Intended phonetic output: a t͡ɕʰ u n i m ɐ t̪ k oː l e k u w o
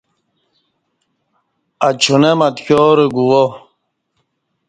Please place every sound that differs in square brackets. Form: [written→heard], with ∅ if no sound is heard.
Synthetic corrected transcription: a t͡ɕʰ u n [i→e] m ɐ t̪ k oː [l→ɾ] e [k→ɡ] u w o